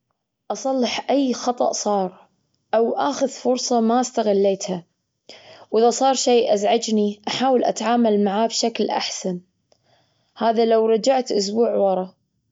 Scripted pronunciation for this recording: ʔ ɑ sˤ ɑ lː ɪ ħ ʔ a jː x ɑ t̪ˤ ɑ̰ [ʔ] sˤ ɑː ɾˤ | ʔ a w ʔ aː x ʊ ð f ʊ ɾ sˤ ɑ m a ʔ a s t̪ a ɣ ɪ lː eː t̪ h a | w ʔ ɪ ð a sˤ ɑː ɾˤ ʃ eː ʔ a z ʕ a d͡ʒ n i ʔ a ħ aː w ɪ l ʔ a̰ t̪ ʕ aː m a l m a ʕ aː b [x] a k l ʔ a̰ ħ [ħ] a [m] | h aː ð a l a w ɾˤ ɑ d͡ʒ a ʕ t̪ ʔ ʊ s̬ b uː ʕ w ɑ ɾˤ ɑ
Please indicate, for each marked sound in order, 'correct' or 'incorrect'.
correct, incorrect: ʃ, incorrect: s, incorrect: n

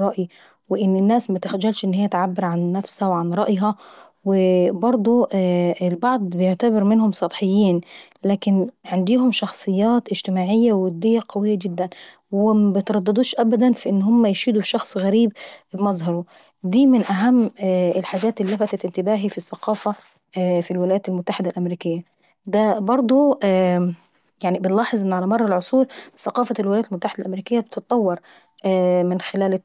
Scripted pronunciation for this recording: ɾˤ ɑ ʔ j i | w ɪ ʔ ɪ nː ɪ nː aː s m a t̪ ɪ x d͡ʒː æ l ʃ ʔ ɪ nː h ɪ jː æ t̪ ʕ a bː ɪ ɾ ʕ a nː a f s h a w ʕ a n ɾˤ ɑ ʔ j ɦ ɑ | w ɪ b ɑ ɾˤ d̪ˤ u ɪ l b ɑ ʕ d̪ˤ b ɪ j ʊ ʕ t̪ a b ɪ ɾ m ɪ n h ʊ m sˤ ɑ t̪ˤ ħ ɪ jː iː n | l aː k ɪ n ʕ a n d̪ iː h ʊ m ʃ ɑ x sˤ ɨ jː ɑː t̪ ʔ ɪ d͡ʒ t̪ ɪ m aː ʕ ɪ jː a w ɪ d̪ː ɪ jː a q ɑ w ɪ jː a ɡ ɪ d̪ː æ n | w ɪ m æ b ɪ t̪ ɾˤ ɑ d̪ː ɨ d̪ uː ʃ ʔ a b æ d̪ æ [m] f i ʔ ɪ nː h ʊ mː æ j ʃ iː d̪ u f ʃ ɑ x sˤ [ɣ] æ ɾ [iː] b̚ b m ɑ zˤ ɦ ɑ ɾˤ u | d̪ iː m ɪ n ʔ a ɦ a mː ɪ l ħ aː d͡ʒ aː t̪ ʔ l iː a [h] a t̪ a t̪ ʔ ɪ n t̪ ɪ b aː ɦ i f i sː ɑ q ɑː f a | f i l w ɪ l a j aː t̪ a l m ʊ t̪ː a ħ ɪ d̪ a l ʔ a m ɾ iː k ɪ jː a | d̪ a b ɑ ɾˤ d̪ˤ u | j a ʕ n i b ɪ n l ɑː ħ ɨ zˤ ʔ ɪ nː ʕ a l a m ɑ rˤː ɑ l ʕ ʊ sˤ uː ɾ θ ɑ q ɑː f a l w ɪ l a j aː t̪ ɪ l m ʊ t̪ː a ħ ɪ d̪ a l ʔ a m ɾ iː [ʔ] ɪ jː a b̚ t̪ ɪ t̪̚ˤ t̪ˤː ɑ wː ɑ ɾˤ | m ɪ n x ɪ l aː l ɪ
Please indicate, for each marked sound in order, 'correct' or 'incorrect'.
incorrect: n, correct, correct, incorrect: f, incorrect: k

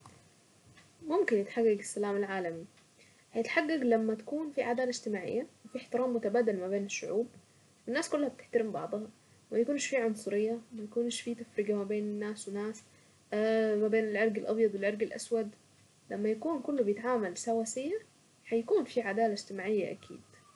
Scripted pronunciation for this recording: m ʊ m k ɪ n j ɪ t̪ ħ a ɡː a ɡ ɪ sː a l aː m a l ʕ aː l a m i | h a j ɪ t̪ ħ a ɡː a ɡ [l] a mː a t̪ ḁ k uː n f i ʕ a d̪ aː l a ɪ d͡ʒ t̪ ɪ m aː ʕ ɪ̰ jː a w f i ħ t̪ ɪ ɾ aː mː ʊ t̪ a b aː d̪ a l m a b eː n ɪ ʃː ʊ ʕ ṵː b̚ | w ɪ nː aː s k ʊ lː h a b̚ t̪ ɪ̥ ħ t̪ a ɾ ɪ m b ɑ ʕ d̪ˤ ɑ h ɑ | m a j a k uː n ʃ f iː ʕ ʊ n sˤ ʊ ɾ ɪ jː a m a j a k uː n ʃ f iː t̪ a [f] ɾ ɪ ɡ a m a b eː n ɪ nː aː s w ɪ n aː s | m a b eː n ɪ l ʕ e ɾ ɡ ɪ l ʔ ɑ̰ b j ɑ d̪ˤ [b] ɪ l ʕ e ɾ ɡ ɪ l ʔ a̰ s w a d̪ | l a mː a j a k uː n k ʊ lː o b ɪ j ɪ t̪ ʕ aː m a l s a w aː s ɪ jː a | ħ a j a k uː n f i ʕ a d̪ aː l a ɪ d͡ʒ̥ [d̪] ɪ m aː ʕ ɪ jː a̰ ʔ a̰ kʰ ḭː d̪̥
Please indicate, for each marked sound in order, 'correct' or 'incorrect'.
correct, correct, incorrect: w, incorrect: t̪

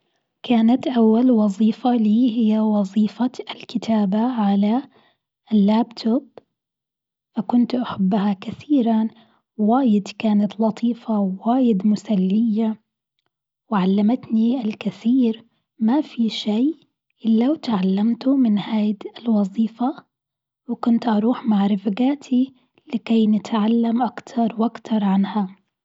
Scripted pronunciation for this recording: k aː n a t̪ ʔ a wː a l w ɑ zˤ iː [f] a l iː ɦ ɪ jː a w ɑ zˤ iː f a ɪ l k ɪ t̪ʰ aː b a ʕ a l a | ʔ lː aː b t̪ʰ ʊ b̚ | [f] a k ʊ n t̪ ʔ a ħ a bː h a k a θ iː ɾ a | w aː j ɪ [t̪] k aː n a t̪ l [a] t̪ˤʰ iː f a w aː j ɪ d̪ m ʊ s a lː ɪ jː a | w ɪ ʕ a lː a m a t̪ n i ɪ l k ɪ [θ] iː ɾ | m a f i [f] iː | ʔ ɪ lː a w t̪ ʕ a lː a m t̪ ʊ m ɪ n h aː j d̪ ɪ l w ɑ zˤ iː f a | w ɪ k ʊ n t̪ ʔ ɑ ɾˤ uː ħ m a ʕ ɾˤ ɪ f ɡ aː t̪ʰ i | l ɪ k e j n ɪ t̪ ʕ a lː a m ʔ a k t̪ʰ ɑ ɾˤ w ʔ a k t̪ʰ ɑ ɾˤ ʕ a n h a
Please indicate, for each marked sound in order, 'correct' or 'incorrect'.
correct, correct, incorrect: d̪, incorrect: ɑ, correct, incorrect: ʃ

